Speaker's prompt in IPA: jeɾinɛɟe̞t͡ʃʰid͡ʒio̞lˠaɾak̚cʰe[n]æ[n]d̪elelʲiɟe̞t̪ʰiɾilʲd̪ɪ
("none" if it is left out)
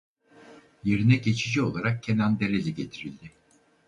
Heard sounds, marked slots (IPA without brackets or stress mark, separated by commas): n, n